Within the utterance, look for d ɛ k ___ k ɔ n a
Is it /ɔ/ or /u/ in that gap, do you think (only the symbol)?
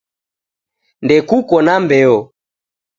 u